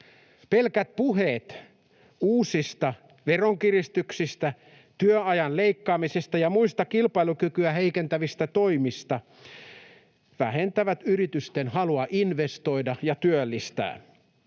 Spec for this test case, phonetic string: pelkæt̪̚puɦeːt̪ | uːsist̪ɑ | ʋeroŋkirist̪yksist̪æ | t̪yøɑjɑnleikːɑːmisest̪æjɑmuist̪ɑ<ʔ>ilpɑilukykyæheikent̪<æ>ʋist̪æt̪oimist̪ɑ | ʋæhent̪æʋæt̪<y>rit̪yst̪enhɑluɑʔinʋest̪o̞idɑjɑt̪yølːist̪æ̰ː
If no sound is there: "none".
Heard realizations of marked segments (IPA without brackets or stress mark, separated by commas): k, æ, y